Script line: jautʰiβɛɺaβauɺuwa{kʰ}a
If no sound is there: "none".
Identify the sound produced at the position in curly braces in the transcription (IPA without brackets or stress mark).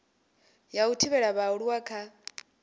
kʰ